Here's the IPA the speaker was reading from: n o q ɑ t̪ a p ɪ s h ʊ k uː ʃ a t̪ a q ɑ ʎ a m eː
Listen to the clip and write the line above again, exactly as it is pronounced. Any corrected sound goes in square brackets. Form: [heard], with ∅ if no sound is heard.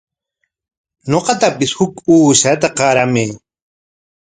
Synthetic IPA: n o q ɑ t̪ a p ɪ s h ʊ k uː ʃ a t̪ a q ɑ [ɾ] a m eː

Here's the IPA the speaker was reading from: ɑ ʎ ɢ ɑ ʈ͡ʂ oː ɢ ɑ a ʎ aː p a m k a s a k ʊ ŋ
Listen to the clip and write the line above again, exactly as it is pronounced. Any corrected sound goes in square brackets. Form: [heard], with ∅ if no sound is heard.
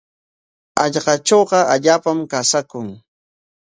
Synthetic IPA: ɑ ʎ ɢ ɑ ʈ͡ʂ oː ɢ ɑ a ʎ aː p a m k a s a k ʊ ŋ

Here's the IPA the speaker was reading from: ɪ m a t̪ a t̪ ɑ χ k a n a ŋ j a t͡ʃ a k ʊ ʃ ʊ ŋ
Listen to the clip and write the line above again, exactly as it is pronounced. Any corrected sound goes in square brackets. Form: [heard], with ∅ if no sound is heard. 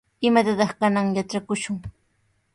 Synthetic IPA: ɪ m a t̪ a t̪ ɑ χ k a n a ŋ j a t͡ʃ a k ʊ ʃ ʊ ŋ

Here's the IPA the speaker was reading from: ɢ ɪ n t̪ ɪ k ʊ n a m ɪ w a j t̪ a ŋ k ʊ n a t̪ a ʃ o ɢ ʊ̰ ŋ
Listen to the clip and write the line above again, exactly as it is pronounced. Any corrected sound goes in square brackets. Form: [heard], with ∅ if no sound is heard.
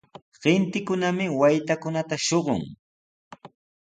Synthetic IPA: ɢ ɪ n t̪ ɪ k ʊ n a m ɪ w a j t̪ a [∅] k ʊ n a t̪ a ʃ o ɢ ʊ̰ ŋ

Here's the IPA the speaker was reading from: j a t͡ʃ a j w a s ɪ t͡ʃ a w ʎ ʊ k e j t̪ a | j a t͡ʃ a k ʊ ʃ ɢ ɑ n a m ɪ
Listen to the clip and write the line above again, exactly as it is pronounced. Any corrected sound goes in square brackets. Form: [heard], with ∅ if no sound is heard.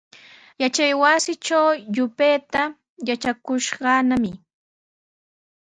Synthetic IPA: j a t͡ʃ a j w a s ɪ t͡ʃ a w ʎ ʊ [p] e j t̪ a | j a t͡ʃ a k ʊ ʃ ɢ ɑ n a m ɪ

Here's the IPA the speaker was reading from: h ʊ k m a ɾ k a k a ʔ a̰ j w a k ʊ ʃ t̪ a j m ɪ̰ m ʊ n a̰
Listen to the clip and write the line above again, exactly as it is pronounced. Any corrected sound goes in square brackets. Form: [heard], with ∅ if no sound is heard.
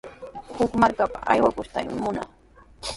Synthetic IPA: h ʊ k m a ɾ k a [p] a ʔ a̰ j w a k ʊ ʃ t̪ a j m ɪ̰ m ʊ n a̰

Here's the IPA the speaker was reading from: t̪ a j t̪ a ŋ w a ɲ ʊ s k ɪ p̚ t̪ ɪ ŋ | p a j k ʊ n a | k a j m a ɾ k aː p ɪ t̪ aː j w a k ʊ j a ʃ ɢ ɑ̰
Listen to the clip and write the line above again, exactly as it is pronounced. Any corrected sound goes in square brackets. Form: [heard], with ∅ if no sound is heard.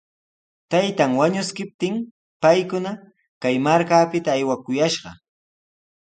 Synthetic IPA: t̪ a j t̪ a ŋ w a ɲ ʊ s k ɪ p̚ t̪ ɪ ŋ | p a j k ʊ n a | k a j m a ɾ k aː p ɪ t̪ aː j w a k ʊ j a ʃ ɢ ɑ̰

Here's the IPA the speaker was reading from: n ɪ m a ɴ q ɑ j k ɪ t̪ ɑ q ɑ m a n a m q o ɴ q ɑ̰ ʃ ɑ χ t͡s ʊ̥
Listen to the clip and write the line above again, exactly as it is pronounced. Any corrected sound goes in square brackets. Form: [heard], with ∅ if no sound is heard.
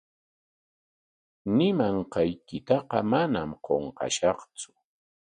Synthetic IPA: n ɪ m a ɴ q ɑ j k ɪ t̪ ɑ q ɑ m a n a m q o ɴ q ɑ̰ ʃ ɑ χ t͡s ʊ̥

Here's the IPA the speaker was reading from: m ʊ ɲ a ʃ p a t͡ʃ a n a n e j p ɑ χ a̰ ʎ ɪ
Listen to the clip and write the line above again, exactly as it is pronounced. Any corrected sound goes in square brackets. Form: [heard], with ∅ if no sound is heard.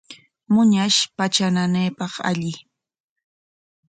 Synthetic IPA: m ʊ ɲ a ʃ p a t͡ʃ a n a n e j p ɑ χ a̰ ʎ ɪ

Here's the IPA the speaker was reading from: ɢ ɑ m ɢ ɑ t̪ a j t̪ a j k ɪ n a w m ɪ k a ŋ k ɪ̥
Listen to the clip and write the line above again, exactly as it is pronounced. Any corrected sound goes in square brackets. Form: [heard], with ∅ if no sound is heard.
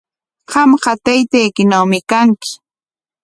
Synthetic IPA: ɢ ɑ m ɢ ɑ t̪ a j t̪ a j k ɪ n a w m ɪ k a ŋ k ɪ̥

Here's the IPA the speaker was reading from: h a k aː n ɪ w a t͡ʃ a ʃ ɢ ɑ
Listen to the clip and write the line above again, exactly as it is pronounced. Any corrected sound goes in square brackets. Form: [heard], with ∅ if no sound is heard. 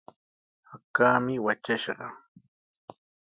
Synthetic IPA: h a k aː [m] ɪ w a t͡ʃ a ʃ ɢ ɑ

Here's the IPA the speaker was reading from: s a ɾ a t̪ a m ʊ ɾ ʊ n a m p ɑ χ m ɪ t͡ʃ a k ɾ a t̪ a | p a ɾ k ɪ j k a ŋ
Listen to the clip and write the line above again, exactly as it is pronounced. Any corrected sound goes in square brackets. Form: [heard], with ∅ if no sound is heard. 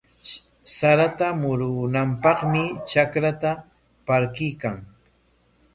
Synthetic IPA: s a ɾ a t̪ a m ʊ ɾ ʊ n a m p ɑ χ m ɪ t͡ʃ a k ɾ a t̪ a | p a ɾ k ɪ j k a ŋ

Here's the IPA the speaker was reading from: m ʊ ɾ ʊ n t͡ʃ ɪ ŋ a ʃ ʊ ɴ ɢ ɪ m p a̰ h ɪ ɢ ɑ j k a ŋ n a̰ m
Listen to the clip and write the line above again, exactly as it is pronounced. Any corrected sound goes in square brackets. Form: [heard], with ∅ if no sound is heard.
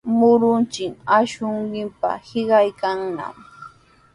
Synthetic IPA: m ʊ ɾ ʊ n t͡ʃ ɪ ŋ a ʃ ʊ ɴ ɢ ɪ m p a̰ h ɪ ɢ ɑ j k a ŋ n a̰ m

